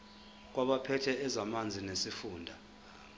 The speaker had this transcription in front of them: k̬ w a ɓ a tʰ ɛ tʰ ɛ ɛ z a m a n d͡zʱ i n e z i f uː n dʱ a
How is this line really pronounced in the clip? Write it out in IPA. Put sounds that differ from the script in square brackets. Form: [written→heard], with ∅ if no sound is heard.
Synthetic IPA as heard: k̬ w a ɓ a [tʰ→pʰ] ɛ tʰ ɛ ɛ z a m a n d͡zʱ i n e [z→s] i f uː n dʱ a